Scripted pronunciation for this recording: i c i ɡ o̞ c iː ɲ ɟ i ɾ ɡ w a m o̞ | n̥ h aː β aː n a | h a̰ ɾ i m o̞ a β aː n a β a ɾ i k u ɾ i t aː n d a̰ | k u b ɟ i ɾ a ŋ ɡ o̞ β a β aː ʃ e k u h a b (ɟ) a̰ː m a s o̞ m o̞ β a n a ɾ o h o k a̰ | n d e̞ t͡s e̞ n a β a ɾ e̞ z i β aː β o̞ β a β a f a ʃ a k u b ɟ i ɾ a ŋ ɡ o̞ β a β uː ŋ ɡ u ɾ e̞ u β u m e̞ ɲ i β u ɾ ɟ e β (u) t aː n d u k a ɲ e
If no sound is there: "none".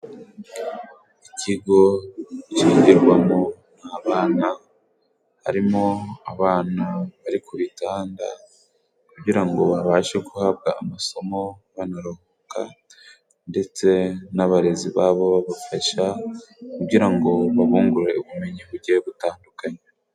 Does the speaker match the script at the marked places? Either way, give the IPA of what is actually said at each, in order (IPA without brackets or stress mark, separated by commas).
ɡ, u